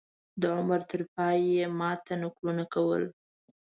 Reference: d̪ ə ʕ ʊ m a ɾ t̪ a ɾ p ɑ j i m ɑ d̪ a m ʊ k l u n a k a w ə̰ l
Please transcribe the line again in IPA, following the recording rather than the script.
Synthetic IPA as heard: d̪ ə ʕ ʊ m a ɾ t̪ ə ɾ p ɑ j e m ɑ t̪ a n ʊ k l u n a k a w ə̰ l